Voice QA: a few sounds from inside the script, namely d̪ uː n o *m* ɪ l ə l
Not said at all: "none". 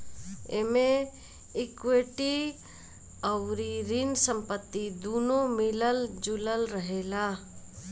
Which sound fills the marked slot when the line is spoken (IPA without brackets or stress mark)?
m